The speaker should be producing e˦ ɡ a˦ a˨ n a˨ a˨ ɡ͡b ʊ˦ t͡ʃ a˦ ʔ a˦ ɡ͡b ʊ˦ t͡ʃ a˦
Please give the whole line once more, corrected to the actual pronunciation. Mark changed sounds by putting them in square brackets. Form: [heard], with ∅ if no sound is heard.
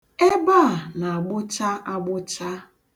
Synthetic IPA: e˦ [b] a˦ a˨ n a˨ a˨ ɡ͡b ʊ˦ t͡ʃ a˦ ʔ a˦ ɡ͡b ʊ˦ t͡ʃ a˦